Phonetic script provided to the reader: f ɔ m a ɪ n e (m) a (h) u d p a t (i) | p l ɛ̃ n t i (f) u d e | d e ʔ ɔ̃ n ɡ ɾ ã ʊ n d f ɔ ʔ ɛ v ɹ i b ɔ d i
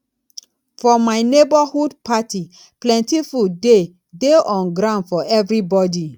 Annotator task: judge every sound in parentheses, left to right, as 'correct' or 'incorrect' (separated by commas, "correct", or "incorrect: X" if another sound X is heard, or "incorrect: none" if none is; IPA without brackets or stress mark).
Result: incorrect: b, correct, correct, correct